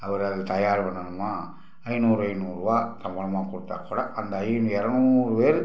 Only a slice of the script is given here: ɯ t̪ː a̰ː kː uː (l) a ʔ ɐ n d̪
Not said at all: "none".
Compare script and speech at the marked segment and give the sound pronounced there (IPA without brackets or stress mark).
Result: ɽ